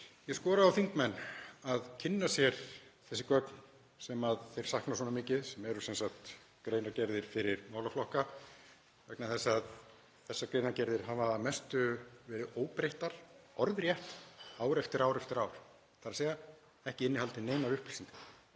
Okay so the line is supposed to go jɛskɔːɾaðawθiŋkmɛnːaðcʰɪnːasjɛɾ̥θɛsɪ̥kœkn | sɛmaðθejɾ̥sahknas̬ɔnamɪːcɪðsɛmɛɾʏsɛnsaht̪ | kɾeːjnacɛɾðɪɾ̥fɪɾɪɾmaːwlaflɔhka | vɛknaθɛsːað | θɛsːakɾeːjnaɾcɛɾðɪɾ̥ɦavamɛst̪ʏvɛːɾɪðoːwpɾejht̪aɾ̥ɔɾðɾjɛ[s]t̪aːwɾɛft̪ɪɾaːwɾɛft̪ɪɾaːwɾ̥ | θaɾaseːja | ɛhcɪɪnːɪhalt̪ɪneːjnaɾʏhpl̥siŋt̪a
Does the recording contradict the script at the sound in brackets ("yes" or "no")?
yes